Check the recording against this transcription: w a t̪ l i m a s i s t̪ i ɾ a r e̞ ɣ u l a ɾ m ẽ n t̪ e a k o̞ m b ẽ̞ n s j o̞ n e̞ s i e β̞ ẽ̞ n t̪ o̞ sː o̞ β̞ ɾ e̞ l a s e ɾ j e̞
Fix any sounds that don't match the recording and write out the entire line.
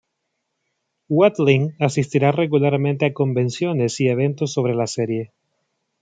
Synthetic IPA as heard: w a t̪ l i ŋ a s i s t̪ i ɾ a r e̞ ɣ u l a ɾ m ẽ n t̪ e a k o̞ m b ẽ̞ n s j o̞ n e̞ s i e β̞ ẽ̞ n t̪ o̞ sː o̞ β̞ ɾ e̞ l a s e ɾ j e̞